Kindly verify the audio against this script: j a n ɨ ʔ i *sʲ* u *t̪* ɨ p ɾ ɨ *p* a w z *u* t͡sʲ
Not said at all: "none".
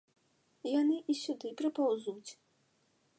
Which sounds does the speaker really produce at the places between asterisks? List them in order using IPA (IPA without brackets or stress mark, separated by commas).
sʲ, d̪, p, u